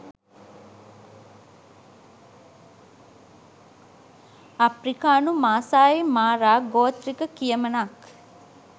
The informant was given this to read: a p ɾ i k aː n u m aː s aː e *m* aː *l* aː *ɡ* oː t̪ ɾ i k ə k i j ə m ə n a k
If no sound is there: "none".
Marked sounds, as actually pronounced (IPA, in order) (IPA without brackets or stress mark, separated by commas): m, ɾ, ɡ